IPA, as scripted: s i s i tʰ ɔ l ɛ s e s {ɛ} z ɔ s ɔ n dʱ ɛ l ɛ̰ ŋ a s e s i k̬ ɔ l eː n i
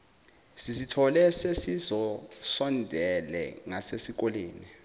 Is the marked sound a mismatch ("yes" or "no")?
yes